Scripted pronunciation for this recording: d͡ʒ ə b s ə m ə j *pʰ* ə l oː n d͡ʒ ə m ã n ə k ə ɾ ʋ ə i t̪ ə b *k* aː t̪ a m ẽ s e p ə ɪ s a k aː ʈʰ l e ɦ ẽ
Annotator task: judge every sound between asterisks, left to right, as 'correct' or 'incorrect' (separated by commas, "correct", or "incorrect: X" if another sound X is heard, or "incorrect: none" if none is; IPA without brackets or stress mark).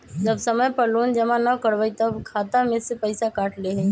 incorrect: p, incorrect: kʰ